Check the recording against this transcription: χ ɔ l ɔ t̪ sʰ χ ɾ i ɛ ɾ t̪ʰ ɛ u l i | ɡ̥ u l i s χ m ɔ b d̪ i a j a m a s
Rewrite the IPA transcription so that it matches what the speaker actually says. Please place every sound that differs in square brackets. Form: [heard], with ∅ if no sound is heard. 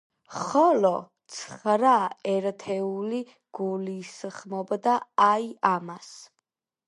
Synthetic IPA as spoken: χ ɔ l ɔ t̪ sʰ χ ɾ [a] ɛ ɾ t̪ʰ ɛ u l i | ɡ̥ u l i s χ m ɔ b d̪ [a] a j a m a s